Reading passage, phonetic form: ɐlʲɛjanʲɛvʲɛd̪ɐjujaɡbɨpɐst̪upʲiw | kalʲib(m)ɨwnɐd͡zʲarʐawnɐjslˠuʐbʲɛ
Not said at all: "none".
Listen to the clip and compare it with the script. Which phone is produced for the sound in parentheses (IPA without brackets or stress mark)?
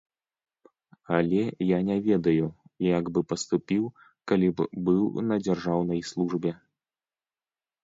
b